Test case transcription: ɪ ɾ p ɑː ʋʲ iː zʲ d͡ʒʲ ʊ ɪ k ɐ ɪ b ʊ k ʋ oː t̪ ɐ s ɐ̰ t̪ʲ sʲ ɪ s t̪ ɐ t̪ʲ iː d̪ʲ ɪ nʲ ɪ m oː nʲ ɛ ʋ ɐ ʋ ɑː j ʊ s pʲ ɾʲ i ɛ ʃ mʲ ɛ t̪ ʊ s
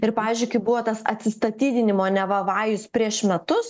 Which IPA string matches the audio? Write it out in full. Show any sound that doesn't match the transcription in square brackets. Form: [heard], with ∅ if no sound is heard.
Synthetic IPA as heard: ɪ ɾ p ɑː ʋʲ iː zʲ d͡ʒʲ ʊ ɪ k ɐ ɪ b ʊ [∅] ʋ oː t̪ ɐ s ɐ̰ t̪ʲ sʲ ɪ s t̪ ɐ t̪ʲ iː d̪ʲ ɪ nʲ ɪ m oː nʲ ɛ ʋ ɐ ʋ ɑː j ʊ s pʲ ɾʲ i ɛ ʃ mʲ ɛ t̪ ʊ s

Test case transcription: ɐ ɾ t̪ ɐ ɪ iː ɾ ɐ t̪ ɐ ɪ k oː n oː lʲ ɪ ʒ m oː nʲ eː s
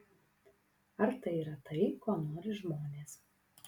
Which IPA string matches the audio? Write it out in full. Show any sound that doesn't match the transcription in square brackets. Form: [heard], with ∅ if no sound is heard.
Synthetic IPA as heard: ɐ ɾ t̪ ɐ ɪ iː ɾ ɐ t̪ ɐ ɪ k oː n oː [ɾʲ] ɪ ʒ m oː nʲ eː s

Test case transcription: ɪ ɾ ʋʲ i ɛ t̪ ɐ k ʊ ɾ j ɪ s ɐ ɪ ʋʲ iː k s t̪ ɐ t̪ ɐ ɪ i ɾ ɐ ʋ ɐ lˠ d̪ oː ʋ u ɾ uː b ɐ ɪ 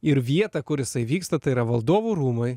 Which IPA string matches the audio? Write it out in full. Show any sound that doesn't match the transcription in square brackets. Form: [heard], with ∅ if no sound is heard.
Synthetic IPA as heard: ɪ ɾ ʋʲ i ɛ t̪ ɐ k ʊ ɾ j ɪ s ɐ ɪ ʋʲ iː k s t̪ ɐ t̪ ɐ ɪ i ɾ ɐ ʋ ɐ lˠ d̪ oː ʋ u ɾ uː [m] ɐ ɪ

